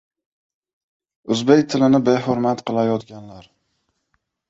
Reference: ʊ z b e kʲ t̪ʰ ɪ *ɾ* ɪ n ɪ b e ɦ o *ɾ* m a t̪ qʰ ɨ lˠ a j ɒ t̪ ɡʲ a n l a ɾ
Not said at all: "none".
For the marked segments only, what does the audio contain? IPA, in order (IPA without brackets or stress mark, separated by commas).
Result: l, ɾ